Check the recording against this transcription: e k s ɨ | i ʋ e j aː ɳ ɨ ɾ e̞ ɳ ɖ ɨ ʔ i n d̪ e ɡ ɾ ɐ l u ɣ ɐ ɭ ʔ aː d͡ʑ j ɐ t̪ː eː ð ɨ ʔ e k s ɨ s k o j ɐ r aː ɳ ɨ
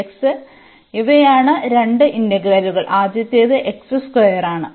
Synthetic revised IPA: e k s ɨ | i ʋ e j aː ɳ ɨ ɾ e̞ ɳ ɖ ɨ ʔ i n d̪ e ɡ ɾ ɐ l u ɣ ɐ ɭ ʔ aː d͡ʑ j ɐ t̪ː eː ð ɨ ʔ e k s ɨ s k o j ɐ r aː ɳ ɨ